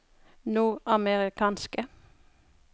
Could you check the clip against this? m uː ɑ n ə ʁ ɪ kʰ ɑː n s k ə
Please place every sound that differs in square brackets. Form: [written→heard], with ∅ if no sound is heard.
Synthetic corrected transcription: [m→n] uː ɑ [n→m] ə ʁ ɪ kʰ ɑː n s k ə